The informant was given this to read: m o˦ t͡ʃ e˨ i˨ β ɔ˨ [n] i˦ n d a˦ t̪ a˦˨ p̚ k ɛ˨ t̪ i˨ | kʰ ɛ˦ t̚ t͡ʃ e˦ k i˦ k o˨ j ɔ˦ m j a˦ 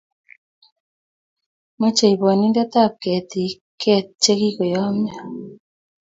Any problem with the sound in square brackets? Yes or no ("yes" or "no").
no